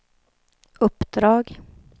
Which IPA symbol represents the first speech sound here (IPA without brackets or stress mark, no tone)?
ɵ